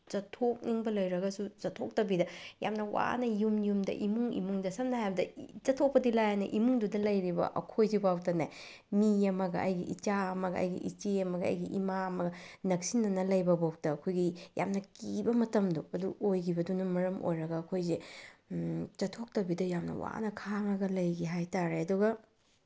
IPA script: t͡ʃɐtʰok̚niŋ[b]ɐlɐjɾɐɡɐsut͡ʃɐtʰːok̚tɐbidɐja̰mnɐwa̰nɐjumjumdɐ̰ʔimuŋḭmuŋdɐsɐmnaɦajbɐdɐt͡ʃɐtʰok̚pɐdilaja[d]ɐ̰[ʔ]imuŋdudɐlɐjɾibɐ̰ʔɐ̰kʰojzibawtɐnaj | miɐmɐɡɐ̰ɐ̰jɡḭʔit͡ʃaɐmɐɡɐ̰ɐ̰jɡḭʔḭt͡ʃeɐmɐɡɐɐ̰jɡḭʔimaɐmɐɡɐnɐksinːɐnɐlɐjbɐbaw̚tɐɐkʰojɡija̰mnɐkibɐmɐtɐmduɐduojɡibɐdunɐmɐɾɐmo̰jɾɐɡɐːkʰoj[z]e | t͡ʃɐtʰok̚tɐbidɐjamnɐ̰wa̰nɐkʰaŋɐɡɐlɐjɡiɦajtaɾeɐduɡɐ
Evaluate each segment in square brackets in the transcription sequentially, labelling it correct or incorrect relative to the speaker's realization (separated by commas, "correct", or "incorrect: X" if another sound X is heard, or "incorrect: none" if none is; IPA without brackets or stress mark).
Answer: correct, incorrect: n, correct, correct